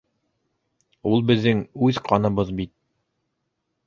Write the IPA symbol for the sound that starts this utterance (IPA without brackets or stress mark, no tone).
u